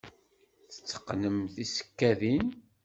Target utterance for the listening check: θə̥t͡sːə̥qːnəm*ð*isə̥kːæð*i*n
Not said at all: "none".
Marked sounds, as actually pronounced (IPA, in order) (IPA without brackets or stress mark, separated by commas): θ, i